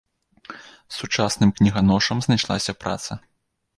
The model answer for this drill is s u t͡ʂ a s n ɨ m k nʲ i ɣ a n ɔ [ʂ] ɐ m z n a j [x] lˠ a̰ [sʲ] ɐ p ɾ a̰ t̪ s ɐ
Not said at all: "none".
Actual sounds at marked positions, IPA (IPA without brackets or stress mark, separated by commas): ʂ, ʂ, sʲ